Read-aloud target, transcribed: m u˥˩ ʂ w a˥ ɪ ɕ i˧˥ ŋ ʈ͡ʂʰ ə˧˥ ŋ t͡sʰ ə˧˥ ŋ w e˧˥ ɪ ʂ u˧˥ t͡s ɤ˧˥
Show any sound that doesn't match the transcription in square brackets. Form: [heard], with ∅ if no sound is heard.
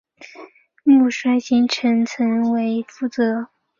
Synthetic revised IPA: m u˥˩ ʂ w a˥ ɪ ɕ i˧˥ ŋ ʈ͡ʂʰ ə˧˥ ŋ t͡sʰ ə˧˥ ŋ w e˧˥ ɪ [f] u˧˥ t͡s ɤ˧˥

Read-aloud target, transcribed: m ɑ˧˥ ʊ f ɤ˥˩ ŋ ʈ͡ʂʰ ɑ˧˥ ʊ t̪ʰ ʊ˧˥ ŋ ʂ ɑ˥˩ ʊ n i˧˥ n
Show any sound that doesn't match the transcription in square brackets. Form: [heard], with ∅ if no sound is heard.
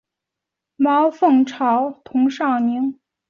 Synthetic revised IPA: m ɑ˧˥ ʊ f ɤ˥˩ ŋ ʈ͡ʂʰ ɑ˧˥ ʊ t̪ʰ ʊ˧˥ ŋ ʂ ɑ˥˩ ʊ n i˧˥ [ŋ]

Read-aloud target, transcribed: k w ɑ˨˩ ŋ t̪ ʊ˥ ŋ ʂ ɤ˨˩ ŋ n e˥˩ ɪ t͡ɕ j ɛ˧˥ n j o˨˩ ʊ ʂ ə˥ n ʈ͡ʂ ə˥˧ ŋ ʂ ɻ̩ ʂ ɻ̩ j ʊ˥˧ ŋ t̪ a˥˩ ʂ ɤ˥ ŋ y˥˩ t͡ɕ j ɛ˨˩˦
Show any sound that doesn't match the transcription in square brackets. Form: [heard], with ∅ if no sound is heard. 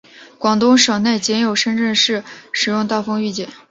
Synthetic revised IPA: k w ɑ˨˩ ŋ t̪ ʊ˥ ŋ ʂ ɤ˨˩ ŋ n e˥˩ ɪ t͡ɕ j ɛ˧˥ n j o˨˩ ʊ ʂ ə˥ n ʈ͡ʂ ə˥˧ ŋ ʂ ɻ̩ ʂ ɻ̩ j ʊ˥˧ ŋ t̪ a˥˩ [f] ɤ˥ ŋ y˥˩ t͡ɕ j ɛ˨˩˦

